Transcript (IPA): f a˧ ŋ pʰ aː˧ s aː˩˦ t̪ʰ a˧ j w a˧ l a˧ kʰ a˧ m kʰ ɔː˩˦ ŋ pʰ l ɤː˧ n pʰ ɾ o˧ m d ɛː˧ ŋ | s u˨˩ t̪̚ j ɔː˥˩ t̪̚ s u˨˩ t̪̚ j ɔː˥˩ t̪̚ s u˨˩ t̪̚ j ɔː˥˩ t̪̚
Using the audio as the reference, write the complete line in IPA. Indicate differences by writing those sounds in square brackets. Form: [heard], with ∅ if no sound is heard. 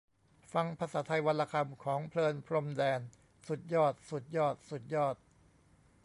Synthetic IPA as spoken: f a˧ ŋ pʰ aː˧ s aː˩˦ t̪ʰ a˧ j w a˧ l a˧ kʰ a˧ m kʰ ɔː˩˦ ŋ pʰ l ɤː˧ n pʰ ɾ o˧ m d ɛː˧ [n] | s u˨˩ t̪̚ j ɔː˥˩ t̪̚ s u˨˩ t̪̚ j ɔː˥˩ t̪̚ s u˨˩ t̪̚ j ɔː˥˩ t̪̚